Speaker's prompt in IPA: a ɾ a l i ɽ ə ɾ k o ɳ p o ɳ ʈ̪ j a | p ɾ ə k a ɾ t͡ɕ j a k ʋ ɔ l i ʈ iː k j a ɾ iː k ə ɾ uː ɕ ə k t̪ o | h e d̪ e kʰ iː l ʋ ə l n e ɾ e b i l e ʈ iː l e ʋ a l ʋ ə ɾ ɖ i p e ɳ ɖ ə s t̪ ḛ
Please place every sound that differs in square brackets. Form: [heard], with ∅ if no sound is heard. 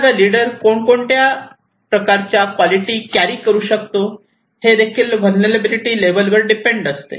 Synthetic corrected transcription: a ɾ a l i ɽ ə ɾ k o ɳ [k] o ɳ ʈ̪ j a | p ɾ ə k a ɾ t͡ɕ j a k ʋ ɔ l i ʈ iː k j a ɾ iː k ə ɾ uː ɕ ə k t̪ o | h e d̪ e kʰ iː l ʋ ə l n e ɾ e b i l [i] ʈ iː l e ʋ [ə] l ʋ ə ɾ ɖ i p e ɳ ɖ ə s t̪ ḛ